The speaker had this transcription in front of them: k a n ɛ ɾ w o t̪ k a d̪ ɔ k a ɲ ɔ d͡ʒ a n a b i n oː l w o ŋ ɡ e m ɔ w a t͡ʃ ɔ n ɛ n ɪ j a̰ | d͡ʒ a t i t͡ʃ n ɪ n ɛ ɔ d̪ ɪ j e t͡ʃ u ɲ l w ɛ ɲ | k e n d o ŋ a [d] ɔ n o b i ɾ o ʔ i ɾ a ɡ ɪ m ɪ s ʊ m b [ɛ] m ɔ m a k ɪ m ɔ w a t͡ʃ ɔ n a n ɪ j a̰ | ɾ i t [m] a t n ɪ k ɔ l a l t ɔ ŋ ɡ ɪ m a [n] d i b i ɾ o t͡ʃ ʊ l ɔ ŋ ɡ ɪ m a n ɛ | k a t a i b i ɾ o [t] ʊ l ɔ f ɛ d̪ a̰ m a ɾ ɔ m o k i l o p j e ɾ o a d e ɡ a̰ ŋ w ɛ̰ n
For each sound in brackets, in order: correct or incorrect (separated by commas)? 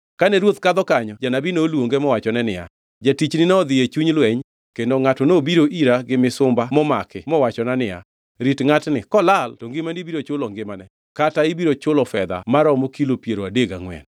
incorrect, incorrect, incorrect, correct, incorrect